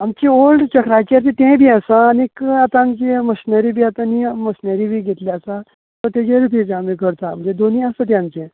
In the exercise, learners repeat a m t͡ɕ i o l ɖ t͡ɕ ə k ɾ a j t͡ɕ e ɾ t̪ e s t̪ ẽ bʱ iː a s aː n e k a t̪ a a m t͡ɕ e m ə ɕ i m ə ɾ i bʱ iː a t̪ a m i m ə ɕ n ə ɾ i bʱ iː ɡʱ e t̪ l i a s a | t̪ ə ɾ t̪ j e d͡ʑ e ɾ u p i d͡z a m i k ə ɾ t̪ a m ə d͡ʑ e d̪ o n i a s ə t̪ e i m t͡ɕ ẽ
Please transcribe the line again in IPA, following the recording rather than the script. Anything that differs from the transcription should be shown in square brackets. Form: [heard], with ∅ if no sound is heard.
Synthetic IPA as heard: a m t͡ɕ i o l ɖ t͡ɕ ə k ɾ a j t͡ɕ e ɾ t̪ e [∅] t̪ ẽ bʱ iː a s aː n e k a t̪ a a m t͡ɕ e m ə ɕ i [n] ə ɾ i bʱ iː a t̪ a [n] i m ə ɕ n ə ɾ i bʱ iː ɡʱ e t̪ l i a s a | t̪ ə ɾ t̪ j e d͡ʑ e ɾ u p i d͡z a m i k ə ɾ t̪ a m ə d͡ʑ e d̪ o n i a s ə t̪ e [a] m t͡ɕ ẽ